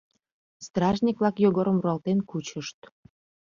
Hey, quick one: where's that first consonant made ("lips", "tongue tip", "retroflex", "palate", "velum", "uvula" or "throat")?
tongue tip